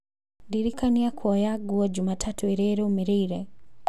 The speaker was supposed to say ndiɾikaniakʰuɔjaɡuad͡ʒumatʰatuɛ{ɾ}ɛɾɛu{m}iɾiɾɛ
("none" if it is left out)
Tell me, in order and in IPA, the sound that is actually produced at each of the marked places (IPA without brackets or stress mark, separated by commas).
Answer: ɾ, m